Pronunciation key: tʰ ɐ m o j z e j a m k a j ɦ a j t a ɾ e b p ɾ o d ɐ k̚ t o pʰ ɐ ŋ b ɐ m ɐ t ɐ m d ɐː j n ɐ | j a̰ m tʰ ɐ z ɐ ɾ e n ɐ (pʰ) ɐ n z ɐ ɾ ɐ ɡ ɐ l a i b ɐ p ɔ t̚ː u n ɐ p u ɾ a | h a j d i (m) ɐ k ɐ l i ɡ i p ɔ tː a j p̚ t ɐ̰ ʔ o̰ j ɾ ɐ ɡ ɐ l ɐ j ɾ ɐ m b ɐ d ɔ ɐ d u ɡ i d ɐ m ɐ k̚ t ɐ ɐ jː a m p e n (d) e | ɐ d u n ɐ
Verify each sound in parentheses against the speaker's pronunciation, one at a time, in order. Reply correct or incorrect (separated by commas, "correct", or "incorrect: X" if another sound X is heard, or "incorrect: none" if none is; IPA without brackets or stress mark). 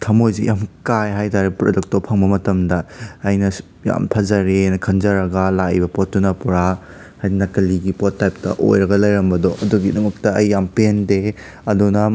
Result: incorrect: kʰ, incorrect: n, correct